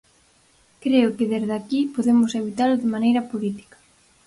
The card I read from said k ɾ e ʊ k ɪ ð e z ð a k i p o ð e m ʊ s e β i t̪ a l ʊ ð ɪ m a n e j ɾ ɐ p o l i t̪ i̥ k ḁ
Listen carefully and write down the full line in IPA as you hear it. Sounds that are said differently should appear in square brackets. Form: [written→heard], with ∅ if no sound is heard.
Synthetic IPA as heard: k ɾ e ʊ k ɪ ð e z ð a k i p o ð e m ʊ s e β i t̪ a l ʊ ð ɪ m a n e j ɾ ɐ p o l i t̪ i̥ k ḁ